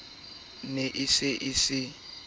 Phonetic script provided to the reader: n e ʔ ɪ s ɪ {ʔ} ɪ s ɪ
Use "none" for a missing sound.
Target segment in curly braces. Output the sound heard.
ʔ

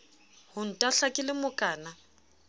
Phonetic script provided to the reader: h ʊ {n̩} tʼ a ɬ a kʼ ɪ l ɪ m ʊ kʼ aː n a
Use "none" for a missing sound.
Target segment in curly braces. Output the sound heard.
n̩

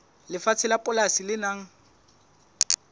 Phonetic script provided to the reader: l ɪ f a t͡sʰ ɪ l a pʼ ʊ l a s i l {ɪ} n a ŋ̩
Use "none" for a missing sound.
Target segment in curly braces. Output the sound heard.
ɪ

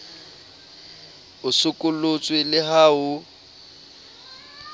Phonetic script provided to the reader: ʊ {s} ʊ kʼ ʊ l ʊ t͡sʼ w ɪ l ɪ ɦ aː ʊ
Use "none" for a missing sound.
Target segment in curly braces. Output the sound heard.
s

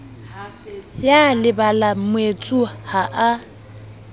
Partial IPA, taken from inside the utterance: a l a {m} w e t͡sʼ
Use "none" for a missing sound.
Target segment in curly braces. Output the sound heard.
m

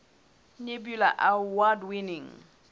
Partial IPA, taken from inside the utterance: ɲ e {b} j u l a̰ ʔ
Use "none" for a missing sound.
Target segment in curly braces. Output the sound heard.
b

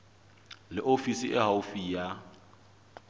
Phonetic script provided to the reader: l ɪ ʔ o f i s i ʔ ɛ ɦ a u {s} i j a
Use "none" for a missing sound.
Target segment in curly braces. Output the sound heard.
f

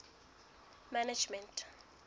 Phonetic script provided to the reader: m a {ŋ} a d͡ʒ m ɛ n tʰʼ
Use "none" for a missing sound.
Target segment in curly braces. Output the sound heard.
n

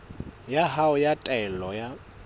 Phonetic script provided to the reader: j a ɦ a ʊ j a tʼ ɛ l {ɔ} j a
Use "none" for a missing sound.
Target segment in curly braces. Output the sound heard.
ɔ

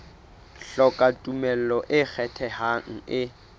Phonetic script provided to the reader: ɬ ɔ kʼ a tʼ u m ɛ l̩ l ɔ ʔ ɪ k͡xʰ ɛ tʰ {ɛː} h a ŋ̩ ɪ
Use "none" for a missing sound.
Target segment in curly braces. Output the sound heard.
ɛ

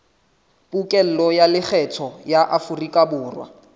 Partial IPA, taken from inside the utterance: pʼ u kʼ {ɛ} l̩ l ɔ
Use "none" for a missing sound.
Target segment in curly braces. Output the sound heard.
ɛ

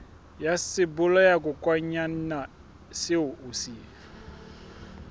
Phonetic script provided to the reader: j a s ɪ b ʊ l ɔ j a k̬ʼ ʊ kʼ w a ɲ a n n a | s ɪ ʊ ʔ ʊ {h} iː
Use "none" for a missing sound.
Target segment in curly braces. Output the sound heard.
s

